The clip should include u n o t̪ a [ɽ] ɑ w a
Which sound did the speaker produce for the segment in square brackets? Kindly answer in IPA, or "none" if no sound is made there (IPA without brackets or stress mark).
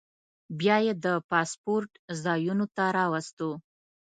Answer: ɾ